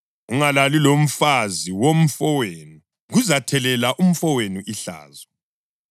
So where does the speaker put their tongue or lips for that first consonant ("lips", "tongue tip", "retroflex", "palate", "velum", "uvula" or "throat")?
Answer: velum